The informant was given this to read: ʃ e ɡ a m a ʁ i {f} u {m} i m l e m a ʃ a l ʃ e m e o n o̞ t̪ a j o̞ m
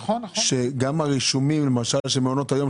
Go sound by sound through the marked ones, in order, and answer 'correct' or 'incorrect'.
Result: incorrect: ʃ, correct

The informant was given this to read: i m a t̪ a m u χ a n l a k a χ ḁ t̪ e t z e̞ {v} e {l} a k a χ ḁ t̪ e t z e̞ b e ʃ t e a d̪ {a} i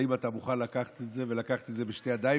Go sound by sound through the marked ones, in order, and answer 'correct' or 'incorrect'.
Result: correct, correct, correct

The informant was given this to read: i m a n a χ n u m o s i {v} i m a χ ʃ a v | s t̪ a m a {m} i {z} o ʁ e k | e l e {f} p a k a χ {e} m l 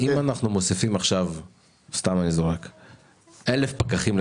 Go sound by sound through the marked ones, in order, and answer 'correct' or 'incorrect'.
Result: incorrect: f, incorrect: n, correct, correct, incorrect: i

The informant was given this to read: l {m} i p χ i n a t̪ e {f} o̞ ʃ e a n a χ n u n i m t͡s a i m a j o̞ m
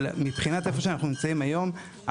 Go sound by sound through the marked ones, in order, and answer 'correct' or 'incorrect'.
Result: correct, correct

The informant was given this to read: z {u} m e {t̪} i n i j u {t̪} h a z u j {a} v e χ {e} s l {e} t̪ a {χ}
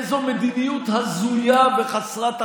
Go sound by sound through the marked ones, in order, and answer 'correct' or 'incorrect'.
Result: incorrect: o, incorrect: d̪, correct, correct, incorrect: a, incorrect: a, incorrect: none

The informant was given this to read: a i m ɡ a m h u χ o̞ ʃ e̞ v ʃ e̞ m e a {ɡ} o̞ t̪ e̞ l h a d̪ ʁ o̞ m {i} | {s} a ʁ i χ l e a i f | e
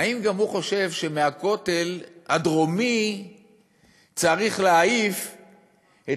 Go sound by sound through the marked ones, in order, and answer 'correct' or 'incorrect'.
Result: incorrect: k, correct, incorrect: t͡s

